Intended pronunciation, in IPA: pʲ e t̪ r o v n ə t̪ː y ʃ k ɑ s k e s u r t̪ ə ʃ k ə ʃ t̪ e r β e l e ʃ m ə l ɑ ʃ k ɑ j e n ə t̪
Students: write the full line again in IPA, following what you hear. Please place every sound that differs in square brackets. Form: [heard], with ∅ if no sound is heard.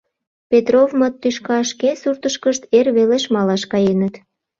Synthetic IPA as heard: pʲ e t̪ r o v [m] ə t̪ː y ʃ k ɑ [ʃ] k e s u r t̪ ə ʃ k ə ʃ t̪ e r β e l e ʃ m [ɑ] l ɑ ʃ k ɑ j e n ə t̪